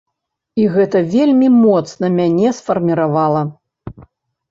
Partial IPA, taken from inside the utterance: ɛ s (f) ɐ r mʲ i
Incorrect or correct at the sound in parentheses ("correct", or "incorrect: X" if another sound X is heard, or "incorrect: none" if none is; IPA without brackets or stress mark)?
correct